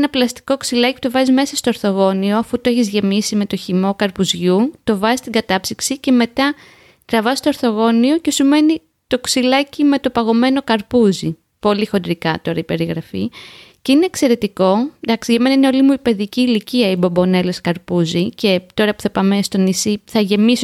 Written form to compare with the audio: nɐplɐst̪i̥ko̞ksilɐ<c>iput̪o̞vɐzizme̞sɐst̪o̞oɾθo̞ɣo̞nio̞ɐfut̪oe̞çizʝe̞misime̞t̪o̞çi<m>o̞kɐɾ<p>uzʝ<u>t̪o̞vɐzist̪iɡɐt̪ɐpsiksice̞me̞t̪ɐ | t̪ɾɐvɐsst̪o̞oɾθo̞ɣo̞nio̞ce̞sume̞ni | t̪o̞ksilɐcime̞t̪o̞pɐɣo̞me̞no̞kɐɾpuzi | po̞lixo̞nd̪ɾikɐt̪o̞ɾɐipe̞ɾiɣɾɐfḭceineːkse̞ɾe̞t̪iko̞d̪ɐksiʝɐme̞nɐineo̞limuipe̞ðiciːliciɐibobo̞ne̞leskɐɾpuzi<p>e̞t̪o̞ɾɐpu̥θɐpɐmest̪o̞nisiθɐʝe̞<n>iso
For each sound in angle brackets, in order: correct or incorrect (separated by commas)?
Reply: correct, correct, correct, correct, incorrect, incorrect